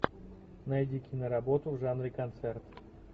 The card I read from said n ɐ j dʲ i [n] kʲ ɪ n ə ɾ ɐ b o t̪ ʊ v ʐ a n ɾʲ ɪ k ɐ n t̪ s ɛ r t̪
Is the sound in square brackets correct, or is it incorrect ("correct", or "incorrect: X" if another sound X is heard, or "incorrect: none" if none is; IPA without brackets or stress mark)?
incorrect: none